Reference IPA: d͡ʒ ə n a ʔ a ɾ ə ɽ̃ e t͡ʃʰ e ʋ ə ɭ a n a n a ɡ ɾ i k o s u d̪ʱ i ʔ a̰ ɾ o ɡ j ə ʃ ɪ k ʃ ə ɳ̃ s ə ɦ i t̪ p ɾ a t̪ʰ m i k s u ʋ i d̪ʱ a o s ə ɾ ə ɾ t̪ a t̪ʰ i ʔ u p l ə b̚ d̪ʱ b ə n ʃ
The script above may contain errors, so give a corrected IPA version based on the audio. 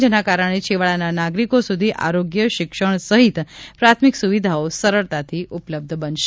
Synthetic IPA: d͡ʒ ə n a k a ɾ ə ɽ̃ e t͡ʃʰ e ʋ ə ɭ a n a n a ɡ ɾ i k o s u d̪ʱ i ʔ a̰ ɾ o ɡ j ə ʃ ɪ k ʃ ə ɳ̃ s ə ɦ i t̪ p ɾ a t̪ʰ m i k s u ʋ i d̪ʱ a o s ə ɾ ə ɭ t̪ a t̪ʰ i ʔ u p l ə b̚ d̪ʱ b ə n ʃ